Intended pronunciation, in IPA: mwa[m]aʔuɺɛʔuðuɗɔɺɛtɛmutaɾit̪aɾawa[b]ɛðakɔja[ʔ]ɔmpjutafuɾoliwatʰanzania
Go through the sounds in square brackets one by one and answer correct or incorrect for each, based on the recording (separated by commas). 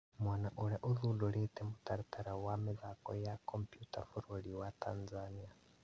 incorrect, incorrect, incorrect